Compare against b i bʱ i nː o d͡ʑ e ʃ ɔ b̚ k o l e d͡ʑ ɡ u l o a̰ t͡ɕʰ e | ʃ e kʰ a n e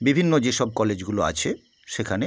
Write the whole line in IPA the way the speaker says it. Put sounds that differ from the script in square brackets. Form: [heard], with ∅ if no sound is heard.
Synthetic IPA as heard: b i bʱ i nː o d͡ʑ e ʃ ɔ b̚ k [ɔ] l e d͡ʑ ɡ u l o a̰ t͡ɕʰ e | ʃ e kʰ a n e